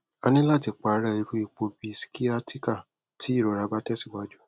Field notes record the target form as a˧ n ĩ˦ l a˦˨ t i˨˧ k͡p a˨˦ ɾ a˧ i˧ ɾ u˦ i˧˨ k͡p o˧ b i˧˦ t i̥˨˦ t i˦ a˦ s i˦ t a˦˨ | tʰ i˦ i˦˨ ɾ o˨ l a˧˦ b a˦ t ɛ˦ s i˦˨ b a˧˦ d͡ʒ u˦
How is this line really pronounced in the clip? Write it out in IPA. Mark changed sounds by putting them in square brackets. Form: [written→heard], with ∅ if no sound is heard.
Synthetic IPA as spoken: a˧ n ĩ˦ l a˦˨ t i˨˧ k͡p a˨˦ ɾ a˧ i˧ ɾ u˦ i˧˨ k͡p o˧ b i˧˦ [t→s] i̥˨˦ [t→k] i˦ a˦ [s→t] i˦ [t→k] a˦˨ | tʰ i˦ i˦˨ ɾ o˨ [l→ɾ] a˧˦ b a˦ t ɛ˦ s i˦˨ [b→w] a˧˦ d͡ʒ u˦